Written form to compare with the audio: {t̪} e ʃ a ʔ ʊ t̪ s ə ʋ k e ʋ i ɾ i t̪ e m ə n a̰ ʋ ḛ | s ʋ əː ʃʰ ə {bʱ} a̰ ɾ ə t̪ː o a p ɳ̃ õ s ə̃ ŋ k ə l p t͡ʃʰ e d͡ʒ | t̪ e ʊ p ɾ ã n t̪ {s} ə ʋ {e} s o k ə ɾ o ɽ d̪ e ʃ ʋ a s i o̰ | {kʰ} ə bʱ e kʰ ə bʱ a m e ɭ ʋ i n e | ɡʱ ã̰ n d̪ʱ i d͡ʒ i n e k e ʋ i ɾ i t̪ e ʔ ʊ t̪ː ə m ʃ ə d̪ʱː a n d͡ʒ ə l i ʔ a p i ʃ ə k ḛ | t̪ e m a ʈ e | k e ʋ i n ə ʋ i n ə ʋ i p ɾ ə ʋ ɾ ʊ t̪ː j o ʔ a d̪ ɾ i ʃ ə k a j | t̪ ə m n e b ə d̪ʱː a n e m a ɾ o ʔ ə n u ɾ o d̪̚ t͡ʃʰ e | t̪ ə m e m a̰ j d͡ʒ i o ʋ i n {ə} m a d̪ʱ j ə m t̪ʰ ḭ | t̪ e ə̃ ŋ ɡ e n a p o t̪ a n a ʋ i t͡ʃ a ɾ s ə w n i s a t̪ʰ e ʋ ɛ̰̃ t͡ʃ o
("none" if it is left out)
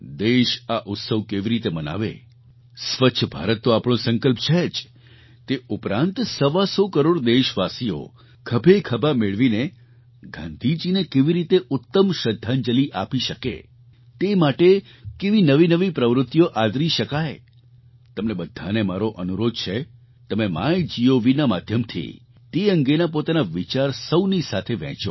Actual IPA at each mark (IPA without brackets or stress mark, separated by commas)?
d̪, bʱ, s, a, kʰ, a